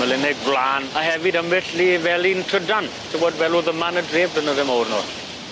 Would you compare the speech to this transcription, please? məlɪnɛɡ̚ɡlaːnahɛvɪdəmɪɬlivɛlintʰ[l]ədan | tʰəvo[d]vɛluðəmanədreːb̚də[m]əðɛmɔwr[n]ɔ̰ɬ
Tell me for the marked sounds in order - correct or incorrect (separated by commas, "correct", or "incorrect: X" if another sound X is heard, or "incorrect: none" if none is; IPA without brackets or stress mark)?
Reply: incorrect: r, correct, incorrect: n, correct